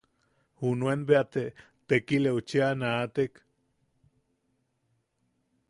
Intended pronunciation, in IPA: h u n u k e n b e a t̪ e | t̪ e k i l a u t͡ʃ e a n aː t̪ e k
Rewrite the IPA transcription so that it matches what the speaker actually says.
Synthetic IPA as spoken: h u n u e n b e a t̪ e | t̪ e k i l e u t͡ʃ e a n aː t̪ e k